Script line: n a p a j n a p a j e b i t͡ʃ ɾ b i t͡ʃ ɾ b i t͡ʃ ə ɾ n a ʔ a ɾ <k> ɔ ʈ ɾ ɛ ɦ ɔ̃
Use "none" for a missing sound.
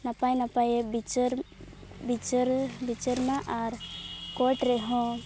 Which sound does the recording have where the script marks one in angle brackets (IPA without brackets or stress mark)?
k